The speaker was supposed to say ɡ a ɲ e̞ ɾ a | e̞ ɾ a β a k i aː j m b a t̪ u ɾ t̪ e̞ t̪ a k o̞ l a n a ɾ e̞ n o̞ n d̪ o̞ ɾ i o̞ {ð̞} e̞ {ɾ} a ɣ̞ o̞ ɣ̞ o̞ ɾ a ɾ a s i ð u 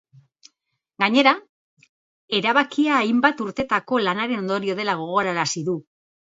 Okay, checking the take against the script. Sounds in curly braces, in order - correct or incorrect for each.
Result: correct, incorrect: l

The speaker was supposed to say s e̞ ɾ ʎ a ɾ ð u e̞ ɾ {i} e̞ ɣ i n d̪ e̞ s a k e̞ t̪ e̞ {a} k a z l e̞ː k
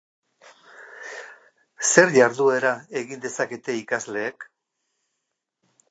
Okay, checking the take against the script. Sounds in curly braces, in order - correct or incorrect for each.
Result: incorrect: a, incorrect: i

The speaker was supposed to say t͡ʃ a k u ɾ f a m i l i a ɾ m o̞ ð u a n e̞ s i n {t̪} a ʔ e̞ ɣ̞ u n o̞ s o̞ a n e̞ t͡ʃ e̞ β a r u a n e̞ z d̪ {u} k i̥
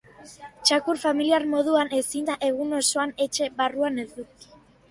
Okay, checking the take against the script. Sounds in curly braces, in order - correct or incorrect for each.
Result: incorrect: d̪, correct

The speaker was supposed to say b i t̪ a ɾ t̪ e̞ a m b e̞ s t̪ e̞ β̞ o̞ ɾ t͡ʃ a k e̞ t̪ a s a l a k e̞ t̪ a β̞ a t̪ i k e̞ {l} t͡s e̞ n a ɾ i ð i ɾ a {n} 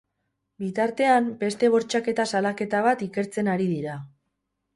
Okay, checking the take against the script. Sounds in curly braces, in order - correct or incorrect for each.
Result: incorrect: ɾ, incorrect: none

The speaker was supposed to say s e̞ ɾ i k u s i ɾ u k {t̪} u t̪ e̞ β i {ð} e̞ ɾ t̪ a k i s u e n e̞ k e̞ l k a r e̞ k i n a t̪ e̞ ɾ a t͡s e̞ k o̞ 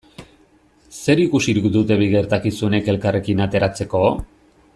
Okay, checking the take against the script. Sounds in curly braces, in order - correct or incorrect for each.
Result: incorrect: d̪, incorrect: ɣ

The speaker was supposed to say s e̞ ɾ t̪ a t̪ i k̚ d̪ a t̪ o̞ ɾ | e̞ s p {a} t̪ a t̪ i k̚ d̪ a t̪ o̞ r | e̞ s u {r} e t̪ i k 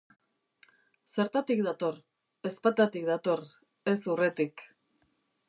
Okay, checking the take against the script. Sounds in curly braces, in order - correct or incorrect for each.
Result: correct, correct

